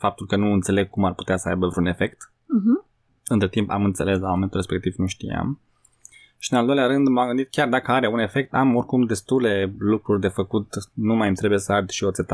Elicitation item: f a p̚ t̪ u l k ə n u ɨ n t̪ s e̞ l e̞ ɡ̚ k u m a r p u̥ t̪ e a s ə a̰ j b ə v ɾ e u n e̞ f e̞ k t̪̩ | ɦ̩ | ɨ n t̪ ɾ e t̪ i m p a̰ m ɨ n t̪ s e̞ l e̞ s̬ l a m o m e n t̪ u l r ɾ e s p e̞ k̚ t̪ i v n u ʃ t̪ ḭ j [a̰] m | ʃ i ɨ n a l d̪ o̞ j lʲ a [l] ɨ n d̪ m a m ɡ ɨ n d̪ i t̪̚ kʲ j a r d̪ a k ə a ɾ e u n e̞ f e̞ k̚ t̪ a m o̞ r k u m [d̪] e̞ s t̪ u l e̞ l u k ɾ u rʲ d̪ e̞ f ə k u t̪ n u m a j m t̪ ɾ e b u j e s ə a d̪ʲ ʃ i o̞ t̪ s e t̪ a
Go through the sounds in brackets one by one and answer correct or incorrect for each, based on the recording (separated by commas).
correct, incorrect, correct